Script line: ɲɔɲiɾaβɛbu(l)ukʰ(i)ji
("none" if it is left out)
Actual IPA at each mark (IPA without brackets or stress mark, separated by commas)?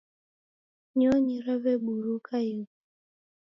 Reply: ɾ, a